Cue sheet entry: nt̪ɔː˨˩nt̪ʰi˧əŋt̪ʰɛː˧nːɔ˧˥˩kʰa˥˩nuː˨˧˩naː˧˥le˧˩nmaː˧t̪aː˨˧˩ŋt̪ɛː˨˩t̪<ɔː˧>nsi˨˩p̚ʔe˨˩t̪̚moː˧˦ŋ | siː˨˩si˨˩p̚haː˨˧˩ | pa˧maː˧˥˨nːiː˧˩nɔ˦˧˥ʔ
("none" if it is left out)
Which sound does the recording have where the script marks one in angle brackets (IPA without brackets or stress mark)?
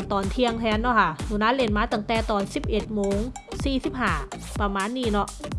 ɔː˨˩